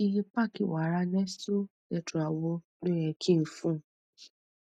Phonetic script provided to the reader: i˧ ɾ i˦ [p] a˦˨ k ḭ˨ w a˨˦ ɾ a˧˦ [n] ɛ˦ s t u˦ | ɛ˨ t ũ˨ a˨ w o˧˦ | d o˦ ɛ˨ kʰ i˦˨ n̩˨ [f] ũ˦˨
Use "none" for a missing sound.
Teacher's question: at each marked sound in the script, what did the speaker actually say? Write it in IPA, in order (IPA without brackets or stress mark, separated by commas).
p, n, f